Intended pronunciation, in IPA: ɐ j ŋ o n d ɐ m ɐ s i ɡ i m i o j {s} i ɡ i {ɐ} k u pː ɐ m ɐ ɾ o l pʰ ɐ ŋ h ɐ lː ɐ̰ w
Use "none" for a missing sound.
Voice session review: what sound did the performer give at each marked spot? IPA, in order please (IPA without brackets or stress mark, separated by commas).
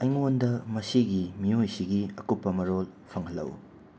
s, ɐ